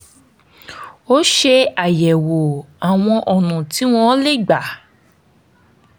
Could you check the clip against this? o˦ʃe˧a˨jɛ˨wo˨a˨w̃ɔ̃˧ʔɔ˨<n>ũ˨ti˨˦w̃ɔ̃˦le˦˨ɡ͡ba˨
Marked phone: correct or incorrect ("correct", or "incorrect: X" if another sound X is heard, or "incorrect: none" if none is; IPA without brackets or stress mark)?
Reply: correct